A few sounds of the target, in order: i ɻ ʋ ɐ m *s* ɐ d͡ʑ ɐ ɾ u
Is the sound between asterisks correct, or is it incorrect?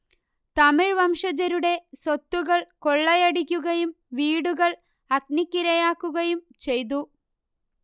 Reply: incorrect